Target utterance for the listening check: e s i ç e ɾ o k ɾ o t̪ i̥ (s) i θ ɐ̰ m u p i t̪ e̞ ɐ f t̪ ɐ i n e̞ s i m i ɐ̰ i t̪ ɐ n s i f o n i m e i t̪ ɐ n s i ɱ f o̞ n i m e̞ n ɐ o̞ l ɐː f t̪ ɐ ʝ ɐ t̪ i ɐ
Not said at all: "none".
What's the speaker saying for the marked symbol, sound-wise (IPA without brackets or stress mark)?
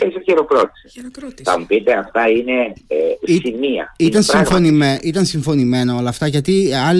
s